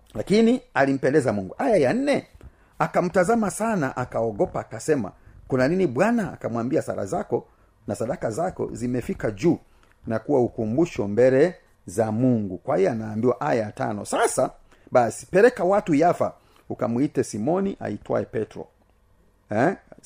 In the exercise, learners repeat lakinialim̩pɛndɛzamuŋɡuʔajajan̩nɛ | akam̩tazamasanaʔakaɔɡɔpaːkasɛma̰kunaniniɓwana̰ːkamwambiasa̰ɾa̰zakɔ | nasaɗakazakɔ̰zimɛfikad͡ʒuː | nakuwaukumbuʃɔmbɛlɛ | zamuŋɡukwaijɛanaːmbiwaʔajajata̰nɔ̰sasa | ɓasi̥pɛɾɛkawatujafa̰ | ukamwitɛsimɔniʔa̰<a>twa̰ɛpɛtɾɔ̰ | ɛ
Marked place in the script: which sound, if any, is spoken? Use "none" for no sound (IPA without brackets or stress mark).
i